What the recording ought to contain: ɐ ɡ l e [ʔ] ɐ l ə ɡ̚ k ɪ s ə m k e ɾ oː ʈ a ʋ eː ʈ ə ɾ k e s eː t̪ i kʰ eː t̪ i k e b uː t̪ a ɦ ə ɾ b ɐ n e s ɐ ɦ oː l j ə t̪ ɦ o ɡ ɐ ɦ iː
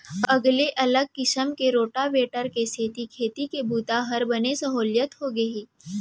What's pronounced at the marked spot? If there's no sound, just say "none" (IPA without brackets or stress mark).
ʔ